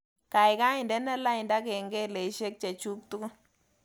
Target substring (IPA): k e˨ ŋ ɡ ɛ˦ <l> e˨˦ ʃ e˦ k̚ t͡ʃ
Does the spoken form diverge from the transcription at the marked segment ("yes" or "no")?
no